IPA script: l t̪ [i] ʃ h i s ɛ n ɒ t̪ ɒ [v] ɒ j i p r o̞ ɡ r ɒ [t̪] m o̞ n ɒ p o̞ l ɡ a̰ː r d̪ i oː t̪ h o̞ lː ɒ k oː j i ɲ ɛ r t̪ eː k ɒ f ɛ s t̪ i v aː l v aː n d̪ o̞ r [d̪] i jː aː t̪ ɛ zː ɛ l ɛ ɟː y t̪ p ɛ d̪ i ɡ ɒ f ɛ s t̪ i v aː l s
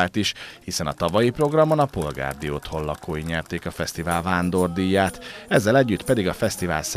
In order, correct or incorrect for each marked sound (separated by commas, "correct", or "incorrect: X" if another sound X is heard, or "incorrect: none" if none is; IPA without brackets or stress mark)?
correct, correct, incorrect: none, correct